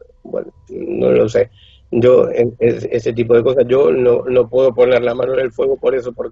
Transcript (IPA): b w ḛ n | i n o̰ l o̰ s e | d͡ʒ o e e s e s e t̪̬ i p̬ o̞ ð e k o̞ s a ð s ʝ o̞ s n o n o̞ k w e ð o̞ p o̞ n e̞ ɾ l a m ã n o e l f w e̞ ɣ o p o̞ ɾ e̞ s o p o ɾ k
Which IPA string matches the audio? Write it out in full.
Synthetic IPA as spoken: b w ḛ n | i n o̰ l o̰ s e | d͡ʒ o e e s e s e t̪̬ i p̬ o̞ ð e k o̞ s a s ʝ o̞ n o n o̞ p w e ð o̞ p o̞ n e̞ ɾ l a m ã n o e l f w e̞ ɣ o p o̞ ɾ e̞ s o p o ɾ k